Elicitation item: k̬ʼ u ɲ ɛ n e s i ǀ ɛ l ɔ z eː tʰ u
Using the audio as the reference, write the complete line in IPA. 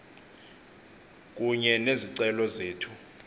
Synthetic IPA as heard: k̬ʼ u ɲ ɛ n e z i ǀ ɛ l ɔ z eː tʰ u